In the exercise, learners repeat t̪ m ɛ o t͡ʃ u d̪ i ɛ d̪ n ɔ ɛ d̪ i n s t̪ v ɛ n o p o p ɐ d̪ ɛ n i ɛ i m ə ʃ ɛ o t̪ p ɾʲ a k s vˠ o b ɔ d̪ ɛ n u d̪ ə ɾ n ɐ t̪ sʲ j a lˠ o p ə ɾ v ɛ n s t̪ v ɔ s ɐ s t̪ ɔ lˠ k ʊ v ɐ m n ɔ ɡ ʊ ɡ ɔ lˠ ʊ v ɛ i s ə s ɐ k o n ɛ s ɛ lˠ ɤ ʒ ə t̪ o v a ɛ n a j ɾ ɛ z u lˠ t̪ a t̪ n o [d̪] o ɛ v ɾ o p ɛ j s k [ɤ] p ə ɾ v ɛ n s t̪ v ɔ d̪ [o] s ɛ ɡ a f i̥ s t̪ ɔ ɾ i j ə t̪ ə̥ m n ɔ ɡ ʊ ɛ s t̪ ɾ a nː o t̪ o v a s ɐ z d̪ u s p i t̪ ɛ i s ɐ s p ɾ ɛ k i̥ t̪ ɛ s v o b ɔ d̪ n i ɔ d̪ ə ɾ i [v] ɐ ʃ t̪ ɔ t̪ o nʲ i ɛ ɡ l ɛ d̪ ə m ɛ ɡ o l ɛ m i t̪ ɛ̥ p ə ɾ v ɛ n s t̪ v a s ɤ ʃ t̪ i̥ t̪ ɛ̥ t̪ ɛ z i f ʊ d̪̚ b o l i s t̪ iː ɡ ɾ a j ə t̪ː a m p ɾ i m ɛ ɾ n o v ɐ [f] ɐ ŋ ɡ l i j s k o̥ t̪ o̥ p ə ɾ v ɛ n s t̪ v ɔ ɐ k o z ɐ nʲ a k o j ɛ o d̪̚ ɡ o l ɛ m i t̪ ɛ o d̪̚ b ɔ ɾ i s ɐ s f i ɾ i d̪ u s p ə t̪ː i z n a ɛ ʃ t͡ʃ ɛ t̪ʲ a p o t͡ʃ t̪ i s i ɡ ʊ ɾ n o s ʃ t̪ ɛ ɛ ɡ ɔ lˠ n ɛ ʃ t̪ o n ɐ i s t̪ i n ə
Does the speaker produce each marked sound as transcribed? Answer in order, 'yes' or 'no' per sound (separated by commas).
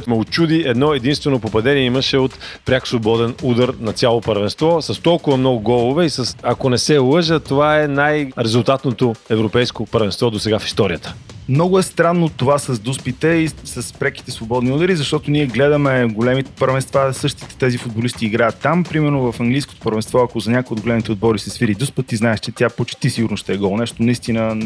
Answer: no, no, yes, no, yes